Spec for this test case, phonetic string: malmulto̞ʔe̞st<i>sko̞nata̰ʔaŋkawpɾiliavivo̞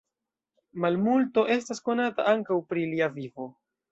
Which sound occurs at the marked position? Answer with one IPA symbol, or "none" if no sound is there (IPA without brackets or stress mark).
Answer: a